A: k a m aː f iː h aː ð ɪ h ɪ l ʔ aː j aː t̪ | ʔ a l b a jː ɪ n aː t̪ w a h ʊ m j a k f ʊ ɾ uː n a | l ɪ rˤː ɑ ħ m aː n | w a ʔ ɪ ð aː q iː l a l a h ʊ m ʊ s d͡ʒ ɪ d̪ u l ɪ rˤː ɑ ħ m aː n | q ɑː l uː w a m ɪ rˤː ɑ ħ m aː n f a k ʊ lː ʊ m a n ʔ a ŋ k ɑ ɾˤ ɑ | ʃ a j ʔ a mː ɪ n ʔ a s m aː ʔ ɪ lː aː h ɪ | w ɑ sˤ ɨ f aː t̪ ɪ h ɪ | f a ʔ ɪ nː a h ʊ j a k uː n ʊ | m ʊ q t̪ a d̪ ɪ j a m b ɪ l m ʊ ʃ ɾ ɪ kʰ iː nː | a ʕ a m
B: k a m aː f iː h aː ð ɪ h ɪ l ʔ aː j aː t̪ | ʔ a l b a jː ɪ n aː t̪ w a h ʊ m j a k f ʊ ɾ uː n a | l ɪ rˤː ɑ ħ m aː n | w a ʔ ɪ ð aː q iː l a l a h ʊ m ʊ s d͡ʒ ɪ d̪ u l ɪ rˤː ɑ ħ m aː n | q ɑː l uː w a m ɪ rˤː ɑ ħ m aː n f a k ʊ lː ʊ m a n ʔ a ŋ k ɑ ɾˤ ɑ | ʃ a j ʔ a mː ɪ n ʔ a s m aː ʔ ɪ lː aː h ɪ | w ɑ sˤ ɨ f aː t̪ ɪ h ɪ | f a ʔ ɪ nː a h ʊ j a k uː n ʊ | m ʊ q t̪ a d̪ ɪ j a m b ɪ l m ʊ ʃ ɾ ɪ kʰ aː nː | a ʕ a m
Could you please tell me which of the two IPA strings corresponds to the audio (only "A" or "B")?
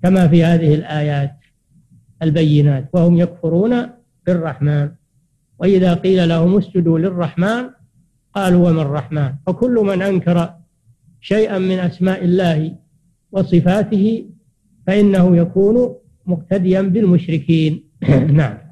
A